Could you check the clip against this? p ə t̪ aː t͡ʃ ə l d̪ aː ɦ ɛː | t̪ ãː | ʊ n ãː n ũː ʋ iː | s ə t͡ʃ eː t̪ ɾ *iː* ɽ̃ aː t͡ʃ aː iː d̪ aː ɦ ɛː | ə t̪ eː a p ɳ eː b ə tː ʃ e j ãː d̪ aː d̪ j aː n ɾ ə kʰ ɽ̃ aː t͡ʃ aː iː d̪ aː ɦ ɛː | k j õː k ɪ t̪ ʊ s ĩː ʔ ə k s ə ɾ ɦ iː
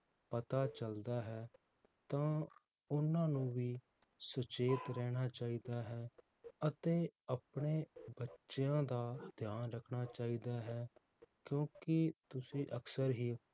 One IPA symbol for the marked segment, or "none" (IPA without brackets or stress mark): ɛː